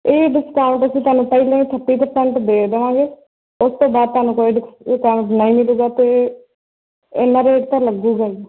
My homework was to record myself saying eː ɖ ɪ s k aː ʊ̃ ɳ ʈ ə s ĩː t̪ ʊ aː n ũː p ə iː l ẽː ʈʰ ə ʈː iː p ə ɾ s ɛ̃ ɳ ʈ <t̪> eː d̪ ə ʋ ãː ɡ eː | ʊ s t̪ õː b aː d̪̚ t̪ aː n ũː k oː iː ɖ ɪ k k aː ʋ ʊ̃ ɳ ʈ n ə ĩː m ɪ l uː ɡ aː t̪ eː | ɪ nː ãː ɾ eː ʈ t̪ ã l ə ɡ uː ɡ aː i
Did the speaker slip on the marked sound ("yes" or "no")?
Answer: yes